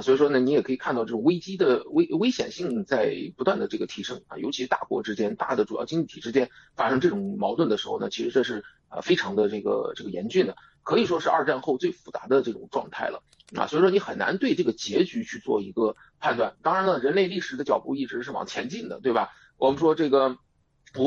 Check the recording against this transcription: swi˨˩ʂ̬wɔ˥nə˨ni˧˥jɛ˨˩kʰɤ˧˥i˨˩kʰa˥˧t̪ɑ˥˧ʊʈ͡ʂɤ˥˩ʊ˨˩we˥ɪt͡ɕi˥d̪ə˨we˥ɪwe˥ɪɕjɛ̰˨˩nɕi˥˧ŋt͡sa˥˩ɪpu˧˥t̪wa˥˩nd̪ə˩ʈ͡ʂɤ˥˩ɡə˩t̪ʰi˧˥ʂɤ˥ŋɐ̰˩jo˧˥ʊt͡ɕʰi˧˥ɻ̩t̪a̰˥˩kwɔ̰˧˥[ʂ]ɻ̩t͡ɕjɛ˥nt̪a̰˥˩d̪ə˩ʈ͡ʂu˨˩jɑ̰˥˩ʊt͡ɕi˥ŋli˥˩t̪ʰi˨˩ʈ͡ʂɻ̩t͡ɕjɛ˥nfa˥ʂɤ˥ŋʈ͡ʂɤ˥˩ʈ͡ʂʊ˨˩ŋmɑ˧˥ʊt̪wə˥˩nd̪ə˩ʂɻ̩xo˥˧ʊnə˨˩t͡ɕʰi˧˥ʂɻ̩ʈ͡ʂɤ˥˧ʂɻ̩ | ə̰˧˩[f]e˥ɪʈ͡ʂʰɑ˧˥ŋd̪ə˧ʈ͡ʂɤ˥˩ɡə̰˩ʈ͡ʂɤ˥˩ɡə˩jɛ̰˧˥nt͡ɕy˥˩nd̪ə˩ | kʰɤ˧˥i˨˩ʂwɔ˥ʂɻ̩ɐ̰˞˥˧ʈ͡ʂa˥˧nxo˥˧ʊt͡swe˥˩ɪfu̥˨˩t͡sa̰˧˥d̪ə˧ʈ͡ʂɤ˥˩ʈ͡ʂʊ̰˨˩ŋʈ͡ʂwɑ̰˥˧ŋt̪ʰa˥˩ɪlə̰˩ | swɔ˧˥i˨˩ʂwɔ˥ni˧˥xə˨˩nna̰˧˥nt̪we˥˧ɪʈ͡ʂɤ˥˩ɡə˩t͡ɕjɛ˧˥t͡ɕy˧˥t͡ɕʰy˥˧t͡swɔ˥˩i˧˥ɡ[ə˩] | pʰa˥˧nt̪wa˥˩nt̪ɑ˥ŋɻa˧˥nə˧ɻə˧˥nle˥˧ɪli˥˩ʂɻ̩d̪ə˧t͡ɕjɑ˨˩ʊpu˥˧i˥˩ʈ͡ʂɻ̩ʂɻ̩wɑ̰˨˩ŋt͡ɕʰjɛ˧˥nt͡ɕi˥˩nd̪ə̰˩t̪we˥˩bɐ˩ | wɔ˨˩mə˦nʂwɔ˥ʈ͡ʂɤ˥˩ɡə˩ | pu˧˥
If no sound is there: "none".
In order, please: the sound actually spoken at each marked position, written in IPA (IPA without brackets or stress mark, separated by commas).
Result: ʈ͡ʂ, f, ə˧